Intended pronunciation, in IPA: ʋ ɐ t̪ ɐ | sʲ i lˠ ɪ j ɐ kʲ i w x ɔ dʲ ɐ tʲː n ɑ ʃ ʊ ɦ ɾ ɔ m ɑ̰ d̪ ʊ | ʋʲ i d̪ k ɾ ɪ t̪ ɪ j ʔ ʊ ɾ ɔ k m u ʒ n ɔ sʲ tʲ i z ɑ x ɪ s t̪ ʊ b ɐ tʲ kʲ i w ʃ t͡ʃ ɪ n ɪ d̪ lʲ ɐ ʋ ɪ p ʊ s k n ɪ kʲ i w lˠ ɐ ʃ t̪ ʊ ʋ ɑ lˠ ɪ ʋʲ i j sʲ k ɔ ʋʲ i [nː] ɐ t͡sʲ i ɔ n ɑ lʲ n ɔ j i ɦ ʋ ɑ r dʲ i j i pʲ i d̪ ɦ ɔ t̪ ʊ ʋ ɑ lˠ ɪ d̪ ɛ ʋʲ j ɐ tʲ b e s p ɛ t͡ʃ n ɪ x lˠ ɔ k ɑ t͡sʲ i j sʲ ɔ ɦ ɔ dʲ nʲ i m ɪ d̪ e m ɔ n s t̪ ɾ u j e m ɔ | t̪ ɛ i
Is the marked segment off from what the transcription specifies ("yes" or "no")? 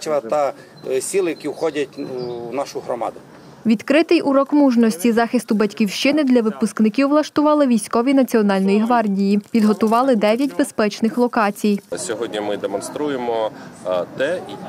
yes